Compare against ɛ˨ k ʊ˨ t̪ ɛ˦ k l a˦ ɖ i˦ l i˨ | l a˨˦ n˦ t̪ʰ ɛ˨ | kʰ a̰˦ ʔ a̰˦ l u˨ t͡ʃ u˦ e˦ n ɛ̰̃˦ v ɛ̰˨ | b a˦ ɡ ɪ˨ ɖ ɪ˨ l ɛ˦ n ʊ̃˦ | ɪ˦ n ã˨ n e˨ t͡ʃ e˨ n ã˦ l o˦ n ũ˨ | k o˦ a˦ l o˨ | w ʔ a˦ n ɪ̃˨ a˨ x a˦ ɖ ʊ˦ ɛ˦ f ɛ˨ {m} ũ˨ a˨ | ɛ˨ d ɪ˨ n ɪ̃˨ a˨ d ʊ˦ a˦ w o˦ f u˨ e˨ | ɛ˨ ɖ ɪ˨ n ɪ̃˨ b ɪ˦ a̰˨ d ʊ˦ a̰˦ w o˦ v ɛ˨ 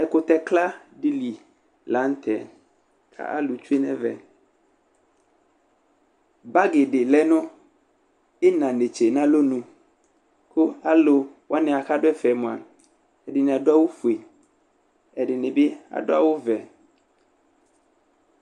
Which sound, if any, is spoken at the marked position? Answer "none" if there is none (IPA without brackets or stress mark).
m